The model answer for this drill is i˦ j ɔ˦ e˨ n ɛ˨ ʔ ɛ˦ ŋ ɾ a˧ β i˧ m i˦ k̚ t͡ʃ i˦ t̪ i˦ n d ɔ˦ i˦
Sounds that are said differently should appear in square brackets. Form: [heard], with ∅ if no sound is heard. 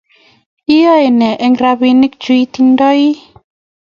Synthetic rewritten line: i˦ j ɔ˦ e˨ n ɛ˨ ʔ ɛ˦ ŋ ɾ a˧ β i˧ [n] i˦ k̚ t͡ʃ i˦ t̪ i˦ n d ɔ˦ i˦